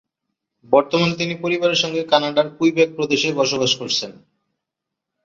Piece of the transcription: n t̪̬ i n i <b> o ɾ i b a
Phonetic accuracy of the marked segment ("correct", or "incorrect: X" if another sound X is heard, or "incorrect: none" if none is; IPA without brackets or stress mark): incorrect: p